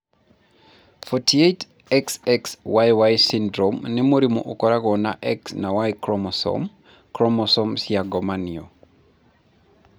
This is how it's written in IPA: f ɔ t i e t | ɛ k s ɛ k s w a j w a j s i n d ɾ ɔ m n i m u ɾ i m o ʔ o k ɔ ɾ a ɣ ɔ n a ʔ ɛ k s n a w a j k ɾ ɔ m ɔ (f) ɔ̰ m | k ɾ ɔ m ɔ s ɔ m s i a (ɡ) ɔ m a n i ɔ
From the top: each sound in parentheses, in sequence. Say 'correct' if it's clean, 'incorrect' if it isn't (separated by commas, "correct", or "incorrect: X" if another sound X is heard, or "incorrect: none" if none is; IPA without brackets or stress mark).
incorrect: s, correct